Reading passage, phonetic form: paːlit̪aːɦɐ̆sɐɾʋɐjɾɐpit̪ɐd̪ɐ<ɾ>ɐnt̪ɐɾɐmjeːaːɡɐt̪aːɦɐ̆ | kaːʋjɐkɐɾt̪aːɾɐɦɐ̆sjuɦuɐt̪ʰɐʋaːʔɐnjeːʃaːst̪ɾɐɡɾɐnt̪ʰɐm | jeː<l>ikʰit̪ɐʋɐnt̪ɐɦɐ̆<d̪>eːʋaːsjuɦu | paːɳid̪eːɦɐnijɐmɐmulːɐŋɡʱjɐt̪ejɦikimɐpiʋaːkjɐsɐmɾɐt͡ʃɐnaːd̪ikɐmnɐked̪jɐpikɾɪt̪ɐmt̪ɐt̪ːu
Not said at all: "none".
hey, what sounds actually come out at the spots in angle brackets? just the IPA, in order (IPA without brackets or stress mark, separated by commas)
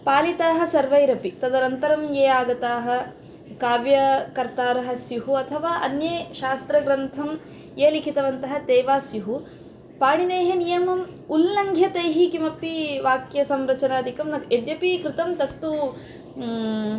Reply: ɾ, l, t̪